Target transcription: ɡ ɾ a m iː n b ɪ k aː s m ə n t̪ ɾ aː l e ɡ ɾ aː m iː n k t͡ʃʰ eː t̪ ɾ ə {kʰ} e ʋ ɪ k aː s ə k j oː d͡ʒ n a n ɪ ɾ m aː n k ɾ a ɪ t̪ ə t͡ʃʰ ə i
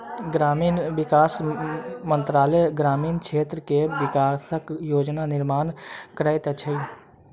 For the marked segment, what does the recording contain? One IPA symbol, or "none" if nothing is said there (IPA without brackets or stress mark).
k